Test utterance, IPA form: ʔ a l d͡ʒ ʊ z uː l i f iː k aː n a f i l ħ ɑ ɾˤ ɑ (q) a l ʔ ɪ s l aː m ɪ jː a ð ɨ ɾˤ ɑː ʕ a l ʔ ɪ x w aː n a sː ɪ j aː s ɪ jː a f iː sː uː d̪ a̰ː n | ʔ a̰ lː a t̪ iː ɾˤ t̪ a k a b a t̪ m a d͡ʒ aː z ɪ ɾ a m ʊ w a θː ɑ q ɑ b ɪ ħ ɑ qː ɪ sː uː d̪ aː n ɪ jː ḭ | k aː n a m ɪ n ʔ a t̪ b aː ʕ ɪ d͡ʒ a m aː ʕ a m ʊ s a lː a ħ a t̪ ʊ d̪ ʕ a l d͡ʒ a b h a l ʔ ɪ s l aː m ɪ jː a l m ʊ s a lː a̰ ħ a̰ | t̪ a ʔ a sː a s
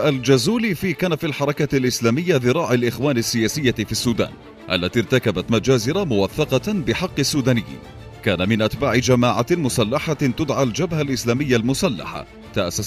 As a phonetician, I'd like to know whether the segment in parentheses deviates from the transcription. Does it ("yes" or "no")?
yes